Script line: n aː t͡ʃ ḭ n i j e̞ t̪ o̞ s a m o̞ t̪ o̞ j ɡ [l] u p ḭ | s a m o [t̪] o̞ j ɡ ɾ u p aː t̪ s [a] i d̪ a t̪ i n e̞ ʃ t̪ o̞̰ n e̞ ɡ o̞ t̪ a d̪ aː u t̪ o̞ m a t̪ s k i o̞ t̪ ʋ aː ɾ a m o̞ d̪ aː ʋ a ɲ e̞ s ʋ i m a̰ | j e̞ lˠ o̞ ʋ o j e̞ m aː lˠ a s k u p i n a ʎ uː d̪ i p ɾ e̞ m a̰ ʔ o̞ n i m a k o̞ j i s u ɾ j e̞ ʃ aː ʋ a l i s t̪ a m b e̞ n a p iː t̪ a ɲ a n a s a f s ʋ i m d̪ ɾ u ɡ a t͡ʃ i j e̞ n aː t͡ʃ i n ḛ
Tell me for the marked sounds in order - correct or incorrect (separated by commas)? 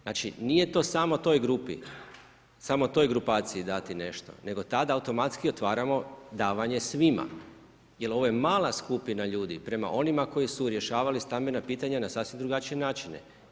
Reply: incorrect, correct, incorrect